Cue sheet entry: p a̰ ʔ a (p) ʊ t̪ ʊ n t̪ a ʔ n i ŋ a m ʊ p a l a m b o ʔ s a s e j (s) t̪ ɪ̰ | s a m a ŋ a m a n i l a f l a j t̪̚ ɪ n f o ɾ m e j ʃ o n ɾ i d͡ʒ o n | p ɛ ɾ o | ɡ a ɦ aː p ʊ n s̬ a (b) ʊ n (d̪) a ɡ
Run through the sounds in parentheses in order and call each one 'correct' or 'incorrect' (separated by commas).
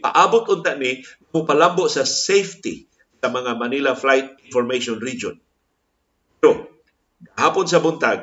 incorrect, incorrect, correct, incorrect